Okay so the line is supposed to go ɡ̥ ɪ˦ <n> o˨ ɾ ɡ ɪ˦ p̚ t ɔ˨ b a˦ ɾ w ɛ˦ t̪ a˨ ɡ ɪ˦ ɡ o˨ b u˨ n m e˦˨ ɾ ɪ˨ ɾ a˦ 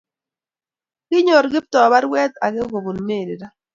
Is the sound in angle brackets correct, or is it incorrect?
incorrect: ɲ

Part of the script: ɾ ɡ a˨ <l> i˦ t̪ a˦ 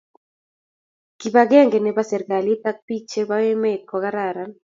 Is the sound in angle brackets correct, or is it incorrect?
correct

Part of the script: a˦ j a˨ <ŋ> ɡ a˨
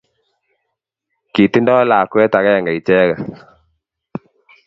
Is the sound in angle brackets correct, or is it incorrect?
correct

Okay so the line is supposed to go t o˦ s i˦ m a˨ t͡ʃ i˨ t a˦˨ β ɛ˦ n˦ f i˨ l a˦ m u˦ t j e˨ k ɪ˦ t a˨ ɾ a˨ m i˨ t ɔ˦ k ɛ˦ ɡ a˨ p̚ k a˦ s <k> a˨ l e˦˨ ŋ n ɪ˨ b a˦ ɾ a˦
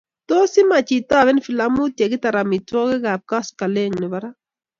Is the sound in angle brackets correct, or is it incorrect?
correct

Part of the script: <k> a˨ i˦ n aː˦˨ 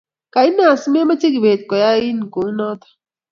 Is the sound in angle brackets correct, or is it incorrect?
correct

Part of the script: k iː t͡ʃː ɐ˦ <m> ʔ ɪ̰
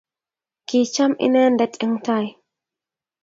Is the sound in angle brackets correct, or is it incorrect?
correct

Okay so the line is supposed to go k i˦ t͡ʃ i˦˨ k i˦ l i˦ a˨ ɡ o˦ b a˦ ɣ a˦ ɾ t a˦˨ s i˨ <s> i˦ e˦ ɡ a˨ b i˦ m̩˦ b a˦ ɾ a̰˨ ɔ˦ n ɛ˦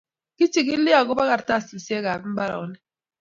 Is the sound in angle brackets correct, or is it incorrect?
correct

